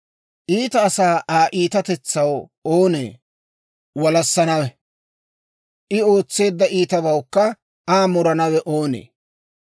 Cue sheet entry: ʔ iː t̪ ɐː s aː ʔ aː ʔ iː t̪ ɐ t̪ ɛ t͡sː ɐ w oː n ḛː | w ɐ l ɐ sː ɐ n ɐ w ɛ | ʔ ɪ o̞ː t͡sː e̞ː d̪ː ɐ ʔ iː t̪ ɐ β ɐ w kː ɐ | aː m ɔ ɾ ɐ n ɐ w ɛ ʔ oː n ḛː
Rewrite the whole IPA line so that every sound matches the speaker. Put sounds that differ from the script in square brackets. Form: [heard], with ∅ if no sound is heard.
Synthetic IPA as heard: ʔ iː t̪ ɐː s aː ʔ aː ʔ iː t̪ ɐ t̪ ɛ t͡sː ɐ w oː n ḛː | w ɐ l ɐ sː ɐ n ɐ w ɛ | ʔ ɪ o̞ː t͡sː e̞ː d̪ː ɐ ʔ iː t̪ ɐ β ɐ w kː ɐ | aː m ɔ ɾ ɐ n ɐ w ɛ ʔ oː n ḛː